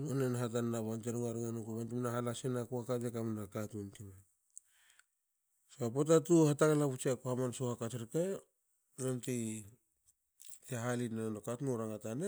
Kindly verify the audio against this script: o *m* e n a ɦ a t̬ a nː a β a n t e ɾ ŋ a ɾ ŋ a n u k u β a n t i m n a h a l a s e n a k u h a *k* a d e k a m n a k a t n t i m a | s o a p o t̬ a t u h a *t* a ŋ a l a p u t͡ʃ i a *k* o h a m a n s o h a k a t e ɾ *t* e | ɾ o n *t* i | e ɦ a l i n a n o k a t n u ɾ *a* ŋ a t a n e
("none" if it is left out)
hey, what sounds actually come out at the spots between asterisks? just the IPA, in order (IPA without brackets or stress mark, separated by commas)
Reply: n, k, t, k, k, t, a